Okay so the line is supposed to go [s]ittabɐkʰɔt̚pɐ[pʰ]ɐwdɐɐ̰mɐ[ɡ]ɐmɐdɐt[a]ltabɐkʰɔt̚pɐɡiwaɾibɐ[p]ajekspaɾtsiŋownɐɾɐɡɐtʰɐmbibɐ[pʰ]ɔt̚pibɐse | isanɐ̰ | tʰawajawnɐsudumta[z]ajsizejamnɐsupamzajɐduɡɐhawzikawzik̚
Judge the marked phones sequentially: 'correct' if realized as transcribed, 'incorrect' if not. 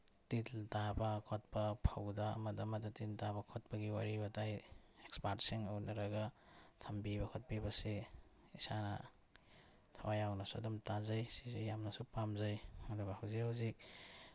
incorrect: t, correct, incorrect: d, incorrect: i, incorrect: t, incorrect: kʰ, correct

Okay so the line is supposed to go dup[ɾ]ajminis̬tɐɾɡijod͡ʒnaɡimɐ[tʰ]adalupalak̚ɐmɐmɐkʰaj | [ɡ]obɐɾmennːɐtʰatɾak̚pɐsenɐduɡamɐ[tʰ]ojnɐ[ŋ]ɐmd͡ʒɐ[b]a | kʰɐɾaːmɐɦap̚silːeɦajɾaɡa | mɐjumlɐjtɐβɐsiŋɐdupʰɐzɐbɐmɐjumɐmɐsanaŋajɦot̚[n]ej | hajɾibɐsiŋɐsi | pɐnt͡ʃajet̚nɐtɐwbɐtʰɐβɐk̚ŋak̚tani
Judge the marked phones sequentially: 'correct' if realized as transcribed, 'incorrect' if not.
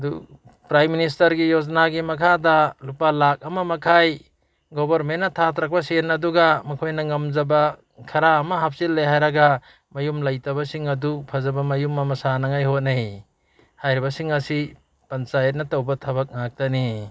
correct, incorrect: kʰ, correct, incorrect: kʰ, correct, correct, correct

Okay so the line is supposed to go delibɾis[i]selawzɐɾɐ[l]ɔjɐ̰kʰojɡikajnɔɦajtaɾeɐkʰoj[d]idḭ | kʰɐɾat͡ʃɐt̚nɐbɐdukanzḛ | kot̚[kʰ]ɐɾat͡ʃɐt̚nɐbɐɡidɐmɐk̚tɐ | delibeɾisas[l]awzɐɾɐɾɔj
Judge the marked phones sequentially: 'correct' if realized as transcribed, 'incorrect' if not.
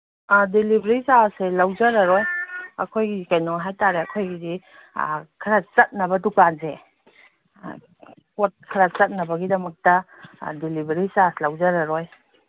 incorrect: a, incorrect: ɾ, incorrect: ɡ, correct, correct

